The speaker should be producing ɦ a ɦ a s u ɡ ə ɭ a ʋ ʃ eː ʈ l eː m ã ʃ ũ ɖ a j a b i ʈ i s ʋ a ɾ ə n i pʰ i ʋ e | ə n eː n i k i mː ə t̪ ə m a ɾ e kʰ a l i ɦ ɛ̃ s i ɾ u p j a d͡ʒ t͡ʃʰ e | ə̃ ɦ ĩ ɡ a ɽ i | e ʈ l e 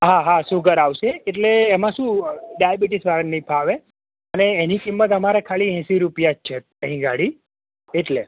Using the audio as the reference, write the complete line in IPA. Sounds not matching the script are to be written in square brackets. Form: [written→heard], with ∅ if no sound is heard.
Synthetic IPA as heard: ɦ a ɦ a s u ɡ ə [ɭ→ɾ] a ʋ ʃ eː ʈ l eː m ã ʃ ũ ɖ a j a b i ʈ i s ʋ a ɾ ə n i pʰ [i→a] ʋ e | ə n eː n i k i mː ə t̪ ə m a ɾ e kʰ a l i ɦ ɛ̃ s i ɾ u p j a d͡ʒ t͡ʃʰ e | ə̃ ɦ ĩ ɡ a ɽ i | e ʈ l e